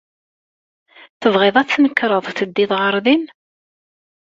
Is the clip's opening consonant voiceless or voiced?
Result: voiceless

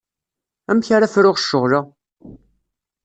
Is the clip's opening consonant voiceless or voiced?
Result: voiced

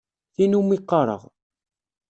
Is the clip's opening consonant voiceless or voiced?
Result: voiceless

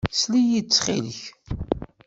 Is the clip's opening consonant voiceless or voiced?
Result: voiceless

